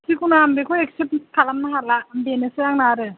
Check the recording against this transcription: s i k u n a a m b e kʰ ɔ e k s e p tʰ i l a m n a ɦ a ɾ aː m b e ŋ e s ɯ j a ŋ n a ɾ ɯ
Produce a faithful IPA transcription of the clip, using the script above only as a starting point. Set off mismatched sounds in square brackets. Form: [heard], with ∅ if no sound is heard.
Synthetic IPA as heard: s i k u n a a m b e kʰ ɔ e k s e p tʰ [a] l a m n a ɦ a [l] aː m b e [n] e s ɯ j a ŋ n a ɾ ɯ